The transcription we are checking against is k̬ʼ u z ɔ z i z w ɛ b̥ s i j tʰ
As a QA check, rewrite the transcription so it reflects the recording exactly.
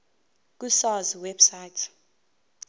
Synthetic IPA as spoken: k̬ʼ u s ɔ z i w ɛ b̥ s a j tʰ